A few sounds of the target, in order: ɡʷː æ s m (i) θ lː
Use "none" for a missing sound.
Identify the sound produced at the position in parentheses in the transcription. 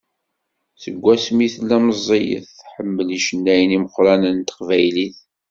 i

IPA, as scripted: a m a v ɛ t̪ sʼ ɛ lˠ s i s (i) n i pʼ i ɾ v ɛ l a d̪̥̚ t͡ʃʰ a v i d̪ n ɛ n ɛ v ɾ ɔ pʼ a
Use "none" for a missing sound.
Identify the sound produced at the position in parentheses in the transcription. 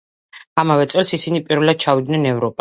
i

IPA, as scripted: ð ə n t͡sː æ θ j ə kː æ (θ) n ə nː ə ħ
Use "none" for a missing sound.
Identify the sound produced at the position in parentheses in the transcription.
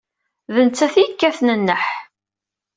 θ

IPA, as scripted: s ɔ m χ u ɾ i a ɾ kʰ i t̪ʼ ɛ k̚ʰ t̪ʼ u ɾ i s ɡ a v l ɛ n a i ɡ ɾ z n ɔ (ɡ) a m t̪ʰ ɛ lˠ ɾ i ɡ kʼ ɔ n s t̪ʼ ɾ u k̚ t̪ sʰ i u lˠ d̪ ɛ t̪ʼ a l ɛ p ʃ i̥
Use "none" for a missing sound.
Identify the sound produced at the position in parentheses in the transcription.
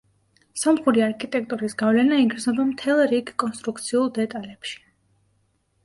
b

